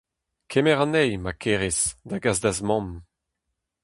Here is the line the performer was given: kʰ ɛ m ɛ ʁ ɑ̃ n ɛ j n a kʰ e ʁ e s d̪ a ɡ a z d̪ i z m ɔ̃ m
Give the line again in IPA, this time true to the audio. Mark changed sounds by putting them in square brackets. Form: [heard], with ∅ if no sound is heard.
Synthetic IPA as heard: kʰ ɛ m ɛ ʁ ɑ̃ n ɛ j [m] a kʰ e ʁ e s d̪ a ɡ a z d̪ [a] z m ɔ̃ m